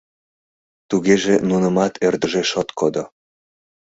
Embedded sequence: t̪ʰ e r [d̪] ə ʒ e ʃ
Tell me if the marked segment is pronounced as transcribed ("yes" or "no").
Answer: yes